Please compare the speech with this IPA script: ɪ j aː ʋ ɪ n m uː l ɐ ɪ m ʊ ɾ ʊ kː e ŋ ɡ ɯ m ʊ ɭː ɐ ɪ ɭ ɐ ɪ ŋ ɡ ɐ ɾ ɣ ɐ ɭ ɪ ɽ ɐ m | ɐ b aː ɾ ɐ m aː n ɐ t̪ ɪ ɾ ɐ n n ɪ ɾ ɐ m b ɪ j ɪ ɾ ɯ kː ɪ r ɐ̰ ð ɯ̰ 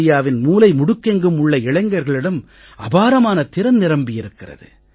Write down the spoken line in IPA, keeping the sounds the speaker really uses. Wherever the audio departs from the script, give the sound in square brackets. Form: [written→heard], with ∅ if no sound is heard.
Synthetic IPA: ɪ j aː ʋ ɪ n m uː l ɐ ɪ m ʊ [ɾ→ɽ] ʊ kː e ŋ ɡ ɯ m ʊ ɭː ɐ ɪ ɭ ɐ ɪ ŋ ɡ ɐ ɾ ɣ ɐ ɭ ɪ ɽ ɐ m | ɐ b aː ɾ ɐ m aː n ɐ t̪ ɪ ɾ ɐ n n ɪ ɾ ɐ m b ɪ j ɪ ɾ ɯ kː ɪ r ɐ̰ ð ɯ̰